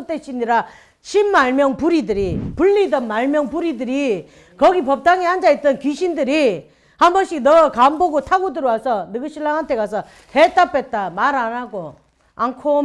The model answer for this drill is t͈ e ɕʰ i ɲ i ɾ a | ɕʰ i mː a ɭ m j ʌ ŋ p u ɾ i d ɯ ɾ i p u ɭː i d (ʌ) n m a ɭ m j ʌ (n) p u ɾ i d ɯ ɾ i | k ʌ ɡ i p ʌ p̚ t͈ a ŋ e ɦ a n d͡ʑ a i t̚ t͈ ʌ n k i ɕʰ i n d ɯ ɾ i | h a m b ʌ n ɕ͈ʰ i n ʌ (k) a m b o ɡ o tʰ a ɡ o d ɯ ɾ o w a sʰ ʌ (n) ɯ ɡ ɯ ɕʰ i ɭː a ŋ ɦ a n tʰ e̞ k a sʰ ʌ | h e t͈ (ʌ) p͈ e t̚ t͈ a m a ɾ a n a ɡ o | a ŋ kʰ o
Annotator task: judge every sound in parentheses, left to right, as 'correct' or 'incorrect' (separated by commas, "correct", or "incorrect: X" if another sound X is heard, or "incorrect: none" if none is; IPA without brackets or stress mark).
correct, incorrect: ŋ, correct, correct, incorrect: a